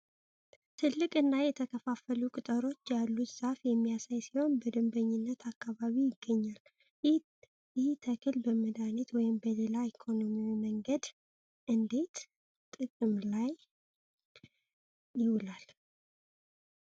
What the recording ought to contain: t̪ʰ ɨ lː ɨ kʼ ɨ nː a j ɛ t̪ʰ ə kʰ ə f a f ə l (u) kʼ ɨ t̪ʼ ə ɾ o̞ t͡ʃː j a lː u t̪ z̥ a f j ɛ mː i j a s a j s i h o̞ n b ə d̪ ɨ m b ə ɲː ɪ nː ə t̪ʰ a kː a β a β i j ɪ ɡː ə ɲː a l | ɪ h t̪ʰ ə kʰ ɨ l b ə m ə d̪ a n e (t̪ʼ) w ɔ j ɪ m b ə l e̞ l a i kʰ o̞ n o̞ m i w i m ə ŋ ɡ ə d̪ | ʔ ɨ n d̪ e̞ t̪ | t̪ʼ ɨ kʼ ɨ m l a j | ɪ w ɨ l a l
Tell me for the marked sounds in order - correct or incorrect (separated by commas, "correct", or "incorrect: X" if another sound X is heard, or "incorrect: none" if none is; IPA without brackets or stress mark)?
correct, incorrect: t̪